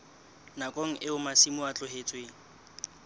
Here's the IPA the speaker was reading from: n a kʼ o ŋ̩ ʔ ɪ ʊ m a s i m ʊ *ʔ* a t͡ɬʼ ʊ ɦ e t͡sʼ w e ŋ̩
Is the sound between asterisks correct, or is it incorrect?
incorrect